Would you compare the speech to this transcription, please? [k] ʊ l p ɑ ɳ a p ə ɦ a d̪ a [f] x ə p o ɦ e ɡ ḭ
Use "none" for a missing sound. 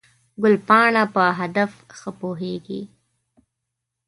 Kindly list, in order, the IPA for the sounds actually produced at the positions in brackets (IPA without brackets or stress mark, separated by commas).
ɡ, f